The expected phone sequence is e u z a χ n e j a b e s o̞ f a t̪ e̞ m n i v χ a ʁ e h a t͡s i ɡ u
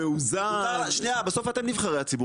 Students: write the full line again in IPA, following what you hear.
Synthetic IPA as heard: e u z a ʃ n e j a b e s o̞ f a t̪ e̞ m n i v χ a ʁ e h a t͡s i b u